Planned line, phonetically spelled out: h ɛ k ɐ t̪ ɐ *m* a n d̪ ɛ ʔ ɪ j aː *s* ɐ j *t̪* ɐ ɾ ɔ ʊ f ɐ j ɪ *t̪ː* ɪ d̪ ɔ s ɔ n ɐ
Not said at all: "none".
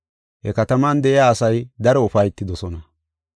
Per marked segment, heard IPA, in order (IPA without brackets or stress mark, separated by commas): m, s, d̪, t̪ː